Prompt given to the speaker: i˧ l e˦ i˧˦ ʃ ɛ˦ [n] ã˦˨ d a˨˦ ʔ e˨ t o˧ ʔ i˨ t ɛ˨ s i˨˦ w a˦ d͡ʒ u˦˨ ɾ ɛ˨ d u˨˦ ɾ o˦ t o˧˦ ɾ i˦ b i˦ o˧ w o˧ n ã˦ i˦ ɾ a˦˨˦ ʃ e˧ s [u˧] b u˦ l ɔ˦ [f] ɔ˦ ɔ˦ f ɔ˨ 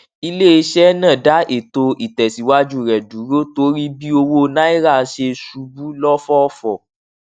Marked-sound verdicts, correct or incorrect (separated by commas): correct, correct, correct